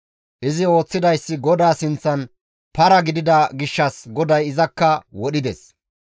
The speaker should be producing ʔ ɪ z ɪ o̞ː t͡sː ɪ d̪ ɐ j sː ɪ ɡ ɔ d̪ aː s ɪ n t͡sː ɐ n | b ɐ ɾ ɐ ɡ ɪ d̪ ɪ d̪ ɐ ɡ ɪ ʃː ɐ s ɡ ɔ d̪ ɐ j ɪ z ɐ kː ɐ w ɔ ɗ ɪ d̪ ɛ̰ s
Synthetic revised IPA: ʔ ɪ z ɪ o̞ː t͡sː ɪ d̪ ɐ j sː ɪ ɡ ɔ d̪ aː s ɪ n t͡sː ɐ n | p ɐ ɾ ɐ ɡ ɪ d̪ ɪ d̪ ɐ ɡ ɪ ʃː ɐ s ɡ ɔ d̪ ɐ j ɪ z ɐ kː ɐ w ɔ ɗ ɪ d̪ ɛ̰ s